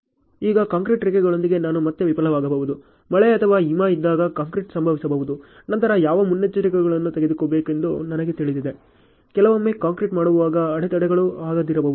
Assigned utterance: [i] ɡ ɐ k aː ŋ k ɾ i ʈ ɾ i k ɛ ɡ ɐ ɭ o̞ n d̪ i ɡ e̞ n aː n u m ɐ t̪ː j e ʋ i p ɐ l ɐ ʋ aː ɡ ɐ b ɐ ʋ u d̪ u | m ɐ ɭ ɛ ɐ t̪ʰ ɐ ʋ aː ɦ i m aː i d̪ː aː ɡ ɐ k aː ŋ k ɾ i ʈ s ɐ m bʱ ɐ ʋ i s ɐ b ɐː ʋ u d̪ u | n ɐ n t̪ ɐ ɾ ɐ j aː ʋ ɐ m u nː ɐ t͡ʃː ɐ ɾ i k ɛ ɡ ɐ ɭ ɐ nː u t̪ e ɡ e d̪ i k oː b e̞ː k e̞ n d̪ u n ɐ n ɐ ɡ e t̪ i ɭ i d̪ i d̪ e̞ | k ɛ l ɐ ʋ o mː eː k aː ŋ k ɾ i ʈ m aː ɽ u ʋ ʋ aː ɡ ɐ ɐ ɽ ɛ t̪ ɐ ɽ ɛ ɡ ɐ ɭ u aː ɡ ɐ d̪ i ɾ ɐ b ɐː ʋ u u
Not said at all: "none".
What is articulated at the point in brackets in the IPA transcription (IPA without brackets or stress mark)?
iː